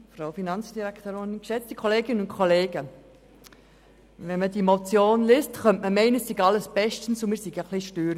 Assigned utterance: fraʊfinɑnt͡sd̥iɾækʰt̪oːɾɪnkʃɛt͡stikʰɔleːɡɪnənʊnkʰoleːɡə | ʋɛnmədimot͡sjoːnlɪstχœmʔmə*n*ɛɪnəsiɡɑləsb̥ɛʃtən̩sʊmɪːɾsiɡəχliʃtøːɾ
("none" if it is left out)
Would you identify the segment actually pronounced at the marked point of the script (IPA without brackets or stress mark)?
m